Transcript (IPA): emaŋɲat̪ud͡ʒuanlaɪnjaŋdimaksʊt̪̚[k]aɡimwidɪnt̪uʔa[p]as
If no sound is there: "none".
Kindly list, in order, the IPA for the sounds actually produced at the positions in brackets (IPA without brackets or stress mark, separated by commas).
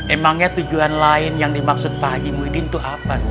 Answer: p, p